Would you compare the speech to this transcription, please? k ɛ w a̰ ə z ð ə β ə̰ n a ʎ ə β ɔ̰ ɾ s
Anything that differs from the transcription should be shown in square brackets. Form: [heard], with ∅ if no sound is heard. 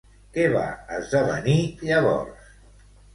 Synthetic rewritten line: k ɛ [β] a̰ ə z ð ə β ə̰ n [i] ʎ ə β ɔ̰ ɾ s